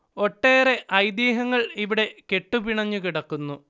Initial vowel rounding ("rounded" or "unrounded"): rounded